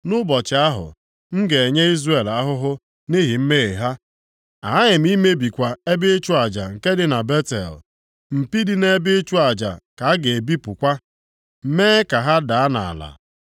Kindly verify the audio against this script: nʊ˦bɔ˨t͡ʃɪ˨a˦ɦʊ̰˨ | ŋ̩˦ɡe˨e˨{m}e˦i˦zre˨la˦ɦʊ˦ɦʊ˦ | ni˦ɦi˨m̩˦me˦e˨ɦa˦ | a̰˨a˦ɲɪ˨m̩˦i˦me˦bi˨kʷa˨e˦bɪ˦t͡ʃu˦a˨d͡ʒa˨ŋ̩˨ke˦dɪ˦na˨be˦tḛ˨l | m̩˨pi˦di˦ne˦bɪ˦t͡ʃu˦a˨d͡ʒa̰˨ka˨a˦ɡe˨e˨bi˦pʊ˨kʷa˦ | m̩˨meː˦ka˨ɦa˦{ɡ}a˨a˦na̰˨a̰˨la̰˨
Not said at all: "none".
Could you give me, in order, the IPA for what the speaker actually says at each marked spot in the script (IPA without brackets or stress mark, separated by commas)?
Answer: ɲ, d